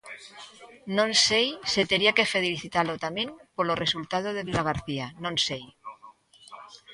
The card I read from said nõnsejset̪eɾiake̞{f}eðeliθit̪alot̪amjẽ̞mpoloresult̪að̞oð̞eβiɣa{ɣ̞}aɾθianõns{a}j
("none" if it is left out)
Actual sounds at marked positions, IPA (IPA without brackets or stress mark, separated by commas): f, ɣ̞, e